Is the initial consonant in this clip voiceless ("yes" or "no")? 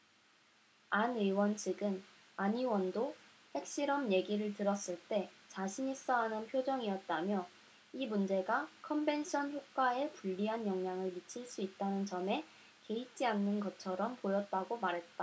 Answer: no